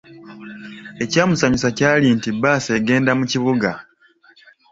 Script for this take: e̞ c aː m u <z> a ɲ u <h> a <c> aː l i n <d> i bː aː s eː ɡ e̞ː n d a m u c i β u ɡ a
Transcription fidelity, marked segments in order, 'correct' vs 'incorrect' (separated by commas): incorrect, incorrect, correct, incorrect